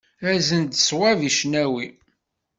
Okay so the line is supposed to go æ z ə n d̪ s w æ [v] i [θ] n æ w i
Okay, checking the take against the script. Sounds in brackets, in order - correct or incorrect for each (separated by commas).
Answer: correct, incorrect